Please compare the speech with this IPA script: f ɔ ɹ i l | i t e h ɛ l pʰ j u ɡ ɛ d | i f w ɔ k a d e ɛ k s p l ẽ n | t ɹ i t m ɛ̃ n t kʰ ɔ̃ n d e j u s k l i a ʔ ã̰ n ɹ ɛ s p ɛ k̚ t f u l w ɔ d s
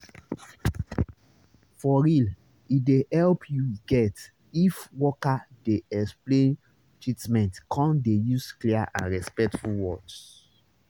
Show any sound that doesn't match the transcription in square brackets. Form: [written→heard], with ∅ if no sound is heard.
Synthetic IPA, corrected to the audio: f ɔ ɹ i l | i [t→d] e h ɛ l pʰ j u ɡ ɛ [d→t] | i f w ɔ k a d e ɛ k s p l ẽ n | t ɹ i t m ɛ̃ n t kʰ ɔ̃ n d e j u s k l i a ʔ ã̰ n ɹ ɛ s p ɛ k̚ t f u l w ɔ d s